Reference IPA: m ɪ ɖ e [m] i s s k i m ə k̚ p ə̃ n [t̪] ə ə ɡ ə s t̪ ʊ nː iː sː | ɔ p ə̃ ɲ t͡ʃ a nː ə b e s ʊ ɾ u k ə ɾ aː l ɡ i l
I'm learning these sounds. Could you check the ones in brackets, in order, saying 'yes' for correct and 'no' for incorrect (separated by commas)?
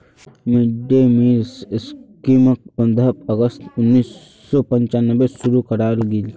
yes, no